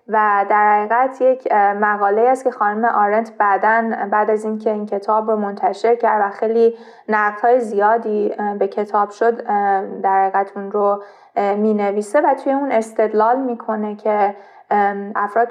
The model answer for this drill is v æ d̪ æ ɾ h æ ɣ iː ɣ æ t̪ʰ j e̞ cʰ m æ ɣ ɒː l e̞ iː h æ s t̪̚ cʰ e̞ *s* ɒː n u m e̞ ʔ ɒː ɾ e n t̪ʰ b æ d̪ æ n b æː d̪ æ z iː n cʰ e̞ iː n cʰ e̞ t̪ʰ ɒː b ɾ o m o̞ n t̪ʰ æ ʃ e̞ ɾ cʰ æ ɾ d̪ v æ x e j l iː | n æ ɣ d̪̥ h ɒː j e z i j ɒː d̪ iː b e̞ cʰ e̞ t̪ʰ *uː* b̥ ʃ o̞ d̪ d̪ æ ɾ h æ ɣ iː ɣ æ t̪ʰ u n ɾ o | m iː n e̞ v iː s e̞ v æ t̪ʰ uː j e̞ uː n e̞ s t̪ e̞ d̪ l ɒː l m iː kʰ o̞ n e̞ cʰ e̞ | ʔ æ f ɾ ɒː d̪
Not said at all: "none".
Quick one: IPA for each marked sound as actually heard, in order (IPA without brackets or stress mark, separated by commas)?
x, ɒː